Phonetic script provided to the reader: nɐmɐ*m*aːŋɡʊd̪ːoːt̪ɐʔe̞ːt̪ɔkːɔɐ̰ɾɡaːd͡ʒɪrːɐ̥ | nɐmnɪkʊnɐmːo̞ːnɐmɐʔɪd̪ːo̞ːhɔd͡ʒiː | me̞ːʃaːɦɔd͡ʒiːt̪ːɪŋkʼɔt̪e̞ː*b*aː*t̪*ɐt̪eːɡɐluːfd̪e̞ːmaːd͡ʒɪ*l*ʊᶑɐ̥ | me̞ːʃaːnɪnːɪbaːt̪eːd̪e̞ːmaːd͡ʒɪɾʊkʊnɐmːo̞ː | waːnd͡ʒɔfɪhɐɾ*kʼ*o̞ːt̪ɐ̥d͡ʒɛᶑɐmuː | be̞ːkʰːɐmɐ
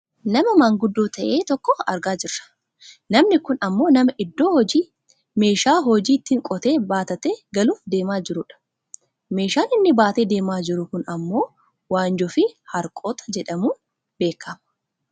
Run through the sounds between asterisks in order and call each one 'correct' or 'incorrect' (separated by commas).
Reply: correct, correct, correct, incorrect, correct